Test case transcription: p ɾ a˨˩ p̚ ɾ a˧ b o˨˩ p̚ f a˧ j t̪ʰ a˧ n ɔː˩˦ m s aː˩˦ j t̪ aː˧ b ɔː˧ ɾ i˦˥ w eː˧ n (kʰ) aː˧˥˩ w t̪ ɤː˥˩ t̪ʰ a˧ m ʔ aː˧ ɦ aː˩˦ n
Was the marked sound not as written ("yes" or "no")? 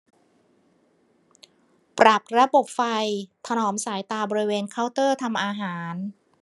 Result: no